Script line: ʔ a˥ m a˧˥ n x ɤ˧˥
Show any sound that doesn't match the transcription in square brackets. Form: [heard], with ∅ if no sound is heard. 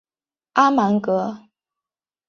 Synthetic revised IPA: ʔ a˥ m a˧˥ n [k] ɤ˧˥